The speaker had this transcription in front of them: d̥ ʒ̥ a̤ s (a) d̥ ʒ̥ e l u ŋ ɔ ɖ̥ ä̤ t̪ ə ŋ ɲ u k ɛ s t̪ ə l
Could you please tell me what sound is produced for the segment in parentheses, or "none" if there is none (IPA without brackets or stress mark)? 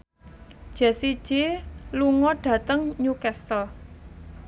i